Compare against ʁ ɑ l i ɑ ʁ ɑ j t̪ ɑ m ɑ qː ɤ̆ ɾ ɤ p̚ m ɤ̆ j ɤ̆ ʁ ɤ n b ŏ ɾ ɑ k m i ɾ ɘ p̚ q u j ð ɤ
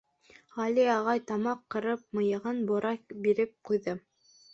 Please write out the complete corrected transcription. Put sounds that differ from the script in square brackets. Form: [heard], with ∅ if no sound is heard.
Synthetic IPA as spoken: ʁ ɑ l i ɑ ʁ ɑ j t̪ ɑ m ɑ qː ɤ̆ ɾ ɤ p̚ m ɤ̆ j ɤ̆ ʁ ɤ n b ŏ ɾ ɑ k [b] i ɾ ɘ p̚ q u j ð ɤ